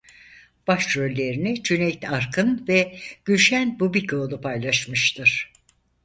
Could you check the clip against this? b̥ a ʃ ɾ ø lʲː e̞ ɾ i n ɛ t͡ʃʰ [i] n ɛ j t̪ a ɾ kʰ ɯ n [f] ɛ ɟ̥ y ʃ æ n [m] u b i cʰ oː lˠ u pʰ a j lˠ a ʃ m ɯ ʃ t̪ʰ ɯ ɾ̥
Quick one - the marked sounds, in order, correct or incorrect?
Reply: incorrect: y, incorrect: v, incorrect: b

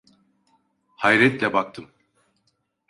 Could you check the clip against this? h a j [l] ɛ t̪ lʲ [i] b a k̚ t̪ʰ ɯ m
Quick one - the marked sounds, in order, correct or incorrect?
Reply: incorrect: ɾ, incorrect: ɛ

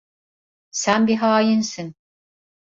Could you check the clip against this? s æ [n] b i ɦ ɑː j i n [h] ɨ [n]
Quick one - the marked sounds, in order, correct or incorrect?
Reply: correct, incorrect: s, correct

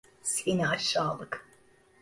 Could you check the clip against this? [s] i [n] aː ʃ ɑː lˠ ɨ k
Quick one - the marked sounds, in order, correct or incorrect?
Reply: correct, correct

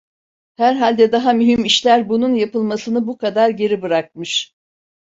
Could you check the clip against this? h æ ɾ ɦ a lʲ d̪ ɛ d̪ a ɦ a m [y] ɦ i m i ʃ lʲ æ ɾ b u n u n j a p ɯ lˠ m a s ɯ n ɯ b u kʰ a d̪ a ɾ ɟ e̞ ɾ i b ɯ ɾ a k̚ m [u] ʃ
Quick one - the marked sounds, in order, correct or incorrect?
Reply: correct, incorrect: ɯ

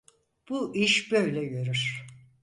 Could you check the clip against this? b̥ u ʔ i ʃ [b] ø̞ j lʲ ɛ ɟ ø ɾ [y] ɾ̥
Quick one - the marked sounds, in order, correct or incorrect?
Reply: correct, correct

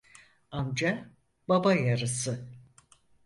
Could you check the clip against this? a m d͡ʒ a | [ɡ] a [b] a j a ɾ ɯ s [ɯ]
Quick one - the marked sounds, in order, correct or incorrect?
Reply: incorrect: b, correct, correct

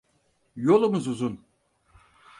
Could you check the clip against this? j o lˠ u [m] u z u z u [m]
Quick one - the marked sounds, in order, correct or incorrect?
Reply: correct, incorrect: n

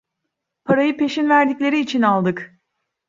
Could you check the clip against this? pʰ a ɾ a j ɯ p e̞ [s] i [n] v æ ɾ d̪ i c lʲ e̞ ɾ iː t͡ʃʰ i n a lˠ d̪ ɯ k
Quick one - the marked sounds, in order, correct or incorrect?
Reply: incorrect: ʃ, correct

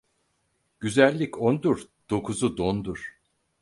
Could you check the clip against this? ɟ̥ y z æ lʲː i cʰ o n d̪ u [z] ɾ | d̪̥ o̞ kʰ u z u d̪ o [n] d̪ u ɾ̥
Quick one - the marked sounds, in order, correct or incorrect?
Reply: incorrect: none, correct

